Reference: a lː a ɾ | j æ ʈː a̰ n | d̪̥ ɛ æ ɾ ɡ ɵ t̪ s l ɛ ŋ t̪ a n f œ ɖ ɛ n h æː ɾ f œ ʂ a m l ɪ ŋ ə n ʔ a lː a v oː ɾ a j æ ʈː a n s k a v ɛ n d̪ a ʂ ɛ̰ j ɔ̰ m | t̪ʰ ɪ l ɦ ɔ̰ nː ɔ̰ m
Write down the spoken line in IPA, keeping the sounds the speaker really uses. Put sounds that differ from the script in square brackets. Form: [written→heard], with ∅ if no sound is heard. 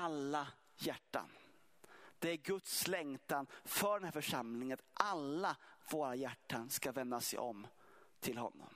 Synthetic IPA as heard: a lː a [ɾ→∅] | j æ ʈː a̰ n | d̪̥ ɛ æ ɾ ɡ ɵ t̪ s l ɛ ŋ t̪ a n f œ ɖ ɛ n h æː ɾ f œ ʂ a m l ɪ ŋ ə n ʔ a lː a v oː ɾ a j æ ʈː a n s k a v ɛ n d̪ a [ʂ→s] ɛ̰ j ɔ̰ m | t̪ʰ ɪ l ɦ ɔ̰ nː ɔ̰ m